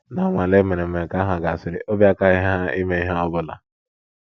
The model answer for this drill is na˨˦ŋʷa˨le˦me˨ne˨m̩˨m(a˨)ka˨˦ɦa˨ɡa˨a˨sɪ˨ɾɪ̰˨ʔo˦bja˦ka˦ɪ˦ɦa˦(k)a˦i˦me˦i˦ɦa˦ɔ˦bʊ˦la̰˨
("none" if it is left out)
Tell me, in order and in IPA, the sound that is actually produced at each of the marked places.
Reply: e˨, none

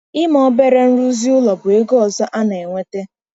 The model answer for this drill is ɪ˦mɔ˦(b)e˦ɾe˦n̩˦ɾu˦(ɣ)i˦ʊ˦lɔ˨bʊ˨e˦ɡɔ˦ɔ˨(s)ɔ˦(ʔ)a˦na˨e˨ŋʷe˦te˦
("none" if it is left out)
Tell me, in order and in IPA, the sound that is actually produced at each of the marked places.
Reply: b, z, z, ʔ

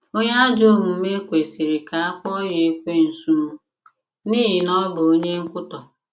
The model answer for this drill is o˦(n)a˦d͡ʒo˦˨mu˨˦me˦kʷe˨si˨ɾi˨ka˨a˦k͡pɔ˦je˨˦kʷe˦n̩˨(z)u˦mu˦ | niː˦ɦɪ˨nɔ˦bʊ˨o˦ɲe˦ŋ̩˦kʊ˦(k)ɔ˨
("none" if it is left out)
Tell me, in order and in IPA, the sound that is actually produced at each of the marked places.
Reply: ɲ, s, t

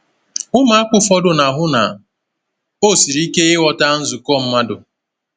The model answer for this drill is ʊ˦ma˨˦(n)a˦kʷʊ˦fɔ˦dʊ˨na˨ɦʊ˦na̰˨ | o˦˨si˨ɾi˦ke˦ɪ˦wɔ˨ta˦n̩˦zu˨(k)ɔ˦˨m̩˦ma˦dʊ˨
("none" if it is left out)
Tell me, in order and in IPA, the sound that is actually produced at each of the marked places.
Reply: none, k

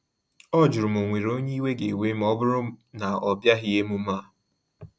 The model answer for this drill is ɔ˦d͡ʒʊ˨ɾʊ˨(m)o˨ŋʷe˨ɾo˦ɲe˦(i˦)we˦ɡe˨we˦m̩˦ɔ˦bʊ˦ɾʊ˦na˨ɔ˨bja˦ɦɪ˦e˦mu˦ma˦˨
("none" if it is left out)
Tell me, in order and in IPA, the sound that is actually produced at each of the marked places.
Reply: m, i˦

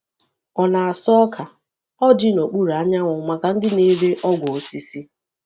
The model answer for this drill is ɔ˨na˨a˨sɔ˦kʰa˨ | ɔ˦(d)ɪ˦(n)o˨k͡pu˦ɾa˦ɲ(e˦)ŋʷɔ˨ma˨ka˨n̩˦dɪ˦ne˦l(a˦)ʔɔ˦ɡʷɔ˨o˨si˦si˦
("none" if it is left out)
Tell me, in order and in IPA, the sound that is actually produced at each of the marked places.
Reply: d͡ʒ, n, a˦, e˦

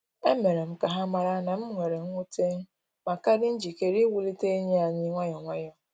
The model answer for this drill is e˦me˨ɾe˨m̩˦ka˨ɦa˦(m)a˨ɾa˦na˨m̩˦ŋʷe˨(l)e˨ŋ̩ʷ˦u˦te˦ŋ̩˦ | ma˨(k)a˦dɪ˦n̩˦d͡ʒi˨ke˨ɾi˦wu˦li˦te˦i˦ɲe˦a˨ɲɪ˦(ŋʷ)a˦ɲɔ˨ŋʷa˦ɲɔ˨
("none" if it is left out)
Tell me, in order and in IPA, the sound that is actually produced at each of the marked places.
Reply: m, ɾ, k, ŋʷ

